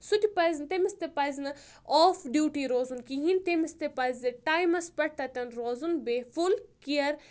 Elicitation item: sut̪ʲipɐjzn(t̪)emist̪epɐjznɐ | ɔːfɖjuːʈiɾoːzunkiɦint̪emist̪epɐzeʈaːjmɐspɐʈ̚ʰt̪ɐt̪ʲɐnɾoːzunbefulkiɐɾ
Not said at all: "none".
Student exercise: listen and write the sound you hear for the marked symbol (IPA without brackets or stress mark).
t̪